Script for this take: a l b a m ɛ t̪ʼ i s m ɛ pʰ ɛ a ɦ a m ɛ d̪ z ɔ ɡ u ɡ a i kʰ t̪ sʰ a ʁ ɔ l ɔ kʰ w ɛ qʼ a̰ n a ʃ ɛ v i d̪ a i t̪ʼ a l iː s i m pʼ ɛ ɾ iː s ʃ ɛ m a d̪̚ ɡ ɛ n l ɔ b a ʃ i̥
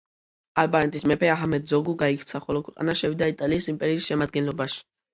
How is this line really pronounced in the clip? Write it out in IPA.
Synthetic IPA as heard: a l b a n ɛ t̪ʼ i s m ɛ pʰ ɛ a ɦ a m ɛ d̪ z ɔ ɡ u ɡ a i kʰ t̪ sʰ a χ ɔ l ɔ kʰ w ɛ qʼ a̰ n a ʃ ɛ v i d̪ a i t̪ʼ a l iː s i m pʼ ɛ ɾ iː s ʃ ɛ m a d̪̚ ɡ ɛ n l ɔ b a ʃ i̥

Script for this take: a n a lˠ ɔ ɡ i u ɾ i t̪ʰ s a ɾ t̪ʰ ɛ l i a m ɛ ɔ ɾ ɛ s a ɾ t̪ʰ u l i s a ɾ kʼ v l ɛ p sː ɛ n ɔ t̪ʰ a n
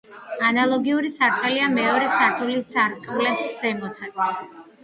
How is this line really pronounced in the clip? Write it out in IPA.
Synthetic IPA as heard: a n a lˠ ɔ ɡ i u ɾ i s a ɾ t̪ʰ ɛ l i a m ɛ ɔ ɾ ɛ s a ɾ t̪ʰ u l i s a ɾ kʼ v l ɛ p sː ɛ m ɔ t̪ʰ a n

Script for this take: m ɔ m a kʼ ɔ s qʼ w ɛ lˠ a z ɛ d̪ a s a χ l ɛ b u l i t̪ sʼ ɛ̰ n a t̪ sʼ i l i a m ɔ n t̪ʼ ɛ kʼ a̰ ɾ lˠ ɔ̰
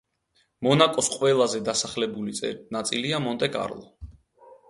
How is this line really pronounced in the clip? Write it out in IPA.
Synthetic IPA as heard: m ɔ n a kʼ ɔ s qʼ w ɛ lˠ a z ɛ d̪ a s a χ l ɛ b u l i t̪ sʼ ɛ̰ n a t̪ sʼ i l i a m ɔ n t̪ʼ ɛ kʼ a̰ ɾ lˠ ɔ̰

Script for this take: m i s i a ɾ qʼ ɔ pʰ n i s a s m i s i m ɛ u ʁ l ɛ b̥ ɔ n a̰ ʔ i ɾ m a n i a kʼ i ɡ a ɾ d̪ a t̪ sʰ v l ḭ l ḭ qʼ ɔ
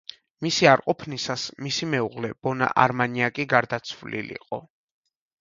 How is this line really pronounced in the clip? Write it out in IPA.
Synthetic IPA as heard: m i s i a ɾ qʼ ɔ pʰ n i s a s m i s i m ɛ u ʁ l ɛ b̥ ɔ n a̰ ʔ a ɾ m a n i a kʼ i ɡ a ɾ d̪ a t̪ sʰ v l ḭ l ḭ qʼ ɔ

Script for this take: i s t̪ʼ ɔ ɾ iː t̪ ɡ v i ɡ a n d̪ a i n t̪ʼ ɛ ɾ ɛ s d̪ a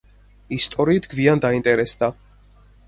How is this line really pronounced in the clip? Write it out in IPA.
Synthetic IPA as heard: i s t̪ʼ ɔ ɾ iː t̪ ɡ v i a n d̪ a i n t̪ʼ ɛ ɾ ɛ s d̪ a

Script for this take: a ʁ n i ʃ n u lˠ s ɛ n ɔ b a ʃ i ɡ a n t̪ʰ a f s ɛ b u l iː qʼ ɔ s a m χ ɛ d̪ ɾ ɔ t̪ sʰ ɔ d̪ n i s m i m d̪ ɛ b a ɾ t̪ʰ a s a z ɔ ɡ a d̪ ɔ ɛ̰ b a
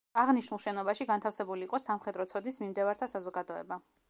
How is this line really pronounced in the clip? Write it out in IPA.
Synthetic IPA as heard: a ʁ n i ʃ n u lˠ ʃ ɛ n ɔ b a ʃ i ɡ a n t̪ʰ a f s ɛ b u l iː qʼ ɔ s a m χ ɛ d̪ ɾ ɔ t̪ sʰ ɔ d̪ n i s m i m d̪ ɛ v a ɾ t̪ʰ a s a z ɔ ɡ a d̪ ɔ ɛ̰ b a

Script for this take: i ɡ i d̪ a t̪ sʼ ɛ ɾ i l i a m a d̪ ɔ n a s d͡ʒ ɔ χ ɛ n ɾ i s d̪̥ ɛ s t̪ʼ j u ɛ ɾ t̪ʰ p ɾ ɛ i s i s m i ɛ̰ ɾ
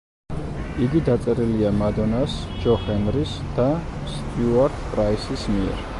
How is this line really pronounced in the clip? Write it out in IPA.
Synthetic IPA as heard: i ɡ i d̪ a t̪ sʼ ɛ ɾ i l i a m a d̪ ɔ n a s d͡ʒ ɔ χ ɛ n ɾ i s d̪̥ a s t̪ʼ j u a ɾ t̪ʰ pʼ ɾ a i s i s m i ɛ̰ ɾ

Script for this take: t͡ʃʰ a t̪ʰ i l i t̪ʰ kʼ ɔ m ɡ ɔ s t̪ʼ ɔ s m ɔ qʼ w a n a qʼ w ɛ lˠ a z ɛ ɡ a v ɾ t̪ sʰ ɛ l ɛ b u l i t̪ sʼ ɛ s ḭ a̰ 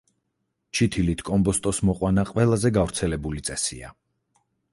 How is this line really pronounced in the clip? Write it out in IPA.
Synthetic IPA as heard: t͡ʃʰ i t̪ʰ i l i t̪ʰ kʼ ɔ m b ɔ s t̪ʼ ɔ s m ɔ qʼ w a n a qʼ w ɛ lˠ a z ɛ ɡ a v ɾ t̪ sʰ ɛ l ɛ b u l i t̪ sʼ ɛ s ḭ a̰

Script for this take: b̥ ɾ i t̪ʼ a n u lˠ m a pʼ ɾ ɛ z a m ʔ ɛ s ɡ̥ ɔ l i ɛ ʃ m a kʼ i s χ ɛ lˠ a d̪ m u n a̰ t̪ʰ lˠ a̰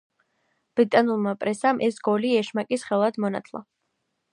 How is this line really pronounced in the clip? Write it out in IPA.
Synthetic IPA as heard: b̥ ɾ i t̪ʼ a n u lˠ m a pʼ ɾ ɛ s a m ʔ ɛ s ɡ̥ ɔ l i ɛ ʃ m a kʼ i s χ ɛ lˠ a d̪ m ɔ n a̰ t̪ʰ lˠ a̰

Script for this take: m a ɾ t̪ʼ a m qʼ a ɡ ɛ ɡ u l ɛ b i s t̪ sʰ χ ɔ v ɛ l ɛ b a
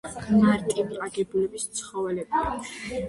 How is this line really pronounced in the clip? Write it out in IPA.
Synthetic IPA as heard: m a ɾ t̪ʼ i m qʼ a ɡ ɛ b u l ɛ b i s t̪ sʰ χ ɔ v ɛ l ɛ b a

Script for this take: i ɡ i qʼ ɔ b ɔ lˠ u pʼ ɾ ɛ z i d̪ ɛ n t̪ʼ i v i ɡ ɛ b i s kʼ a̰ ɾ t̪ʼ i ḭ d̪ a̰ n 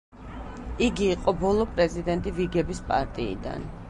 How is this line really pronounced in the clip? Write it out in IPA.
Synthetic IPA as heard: i ɡ iː qʼ ɔ b ɔ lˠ ɔ pʼ ɾ ɛ z i d̪ ɛ n t̪ʼ i v i ɡ ɛ b i s pʼ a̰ ɾ t̪ʼ i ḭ d̪ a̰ n

